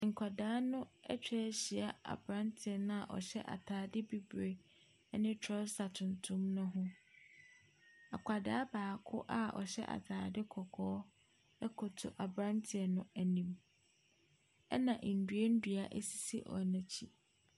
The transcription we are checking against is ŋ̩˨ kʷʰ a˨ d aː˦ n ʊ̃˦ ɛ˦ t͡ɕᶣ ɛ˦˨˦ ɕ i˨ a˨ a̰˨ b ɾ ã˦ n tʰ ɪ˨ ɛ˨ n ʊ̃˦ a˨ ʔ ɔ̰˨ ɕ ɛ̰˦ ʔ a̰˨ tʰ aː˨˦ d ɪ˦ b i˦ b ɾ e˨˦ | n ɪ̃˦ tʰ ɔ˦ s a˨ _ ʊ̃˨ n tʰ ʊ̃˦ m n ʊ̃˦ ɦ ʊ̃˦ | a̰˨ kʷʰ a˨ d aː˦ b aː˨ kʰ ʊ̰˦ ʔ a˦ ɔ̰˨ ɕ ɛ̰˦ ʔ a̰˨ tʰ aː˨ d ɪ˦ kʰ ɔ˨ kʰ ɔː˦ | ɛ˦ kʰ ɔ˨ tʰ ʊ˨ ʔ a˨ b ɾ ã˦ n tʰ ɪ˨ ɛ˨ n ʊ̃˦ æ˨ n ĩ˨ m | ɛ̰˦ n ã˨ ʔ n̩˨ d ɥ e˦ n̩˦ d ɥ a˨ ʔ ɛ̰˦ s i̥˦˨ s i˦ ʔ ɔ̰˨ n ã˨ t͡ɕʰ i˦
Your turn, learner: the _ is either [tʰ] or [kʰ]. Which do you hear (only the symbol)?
tʰ